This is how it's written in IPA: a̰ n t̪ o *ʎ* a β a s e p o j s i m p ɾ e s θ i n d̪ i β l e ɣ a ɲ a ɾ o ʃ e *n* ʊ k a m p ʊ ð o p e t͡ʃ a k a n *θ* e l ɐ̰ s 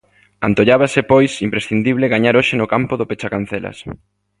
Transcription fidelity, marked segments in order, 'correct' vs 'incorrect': correct, correct, correct

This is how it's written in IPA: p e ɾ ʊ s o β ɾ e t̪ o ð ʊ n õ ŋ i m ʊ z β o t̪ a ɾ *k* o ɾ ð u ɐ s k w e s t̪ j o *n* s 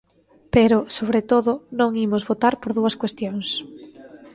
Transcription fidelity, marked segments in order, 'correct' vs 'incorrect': incorrect, incorrect

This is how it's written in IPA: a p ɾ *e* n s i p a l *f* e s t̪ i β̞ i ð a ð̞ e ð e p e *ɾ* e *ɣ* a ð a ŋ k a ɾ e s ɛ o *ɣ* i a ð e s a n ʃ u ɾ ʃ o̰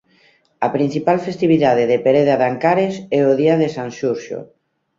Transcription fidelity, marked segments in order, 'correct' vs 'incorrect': incorrect, correct, correct, incorrect, incorrect

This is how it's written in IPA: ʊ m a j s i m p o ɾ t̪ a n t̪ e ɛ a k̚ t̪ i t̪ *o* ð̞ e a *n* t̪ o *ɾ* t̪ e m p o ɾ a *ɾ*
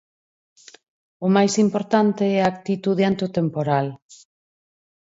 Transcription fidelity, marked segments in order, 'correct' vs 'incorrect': incorrect, correct, incorrect, incorrect

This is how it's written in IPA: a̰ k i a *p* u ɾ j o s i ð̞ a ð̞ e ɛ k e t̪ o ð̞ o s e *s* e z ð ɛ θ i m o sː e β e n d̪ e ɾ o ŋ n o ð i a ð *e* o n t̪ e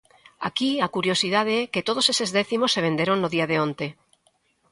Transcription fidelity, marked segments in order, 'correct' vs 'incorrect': incorrect, correct, correct

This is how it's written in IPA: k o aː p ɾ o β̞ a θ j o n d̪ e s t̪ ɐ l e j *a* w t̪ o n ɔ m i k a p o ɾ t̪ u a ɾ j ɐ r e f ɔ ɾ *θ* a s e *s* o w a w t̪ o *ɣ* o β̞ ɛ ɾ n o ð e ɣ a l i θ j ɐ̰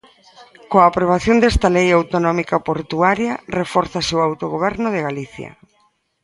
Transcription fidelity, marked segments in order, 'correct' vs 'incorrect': correct, correct, incorrect, correct

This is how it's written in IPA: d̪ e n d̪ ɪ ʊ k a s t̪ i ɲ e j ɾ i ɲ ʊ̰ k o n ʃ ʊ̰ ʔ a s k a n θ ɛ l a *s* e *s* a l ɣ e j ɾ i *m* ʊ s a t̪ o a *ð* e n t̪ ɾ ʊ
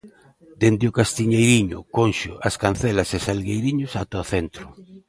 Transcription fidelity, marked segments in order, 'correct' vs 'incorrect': correct, correct, incorrect, incorrect

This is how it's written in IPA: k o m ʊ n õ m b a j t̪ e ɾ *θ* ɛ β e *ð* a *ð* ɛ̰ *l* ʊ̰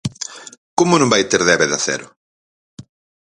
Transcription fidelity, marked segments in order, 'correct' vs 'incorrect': incorrect, correct, incorrect, incorrect

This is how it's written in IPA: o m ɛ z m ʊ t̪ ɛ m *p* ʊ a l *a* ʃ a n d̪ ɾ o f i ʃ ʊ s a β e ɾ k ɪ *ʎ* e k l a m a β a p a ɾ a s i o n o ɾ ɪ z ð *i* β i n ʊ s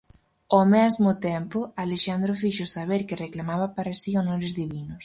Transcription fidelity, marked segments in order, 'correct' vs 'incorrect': correct, incorrect, incorrect, correct

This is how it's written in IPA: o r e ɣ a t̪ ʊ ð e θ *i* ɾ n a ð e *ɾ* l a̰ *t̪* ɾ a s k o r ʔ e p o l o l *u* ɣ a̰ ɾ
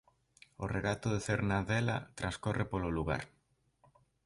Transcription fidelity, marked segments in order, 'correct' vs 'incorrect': incorrect, incorrect, correct, correct

